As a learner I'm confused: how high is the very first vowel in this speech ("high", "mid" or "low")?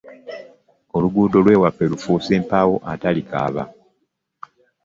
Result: mid